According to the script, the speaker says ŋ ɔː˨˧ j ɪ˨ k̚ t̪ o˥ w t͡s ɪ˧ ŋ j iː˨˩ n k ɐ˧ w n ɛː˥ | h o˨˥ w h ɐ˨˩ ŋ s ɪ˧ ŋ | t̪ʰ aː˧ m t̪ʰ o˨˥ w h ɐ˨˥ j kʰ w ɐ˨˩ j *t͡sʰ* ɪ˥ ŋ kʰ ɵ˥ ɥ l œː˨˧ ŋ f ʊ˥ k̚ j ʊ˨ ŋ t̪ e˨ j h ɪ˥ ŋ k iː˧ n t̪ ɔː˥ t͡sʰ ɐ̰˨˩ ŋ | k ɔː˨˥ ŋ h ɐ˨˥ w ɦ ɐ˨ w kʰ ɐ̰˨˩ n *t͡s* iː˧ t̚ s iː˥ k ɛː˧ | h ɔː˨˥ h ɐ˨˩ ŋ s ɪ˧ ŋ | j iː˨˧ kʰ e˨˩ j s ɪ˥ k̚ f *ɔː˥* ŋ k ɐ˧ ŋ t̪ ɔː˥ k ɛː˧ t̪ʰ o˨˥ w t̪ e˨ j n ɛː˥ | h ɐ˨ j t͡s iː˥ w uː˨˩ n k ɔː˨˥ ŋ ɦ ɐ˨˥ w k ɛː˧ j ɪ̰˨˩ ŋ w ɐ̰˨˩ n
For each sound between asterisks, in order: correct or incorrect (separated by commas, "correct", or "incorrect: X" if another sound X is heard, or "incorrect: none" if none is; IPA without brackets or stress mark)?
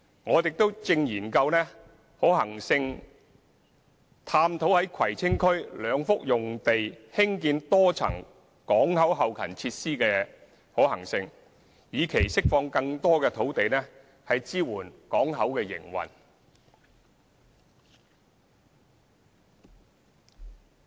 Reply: correct, incorrect: t͡sʰ, incorrect: ɔː˧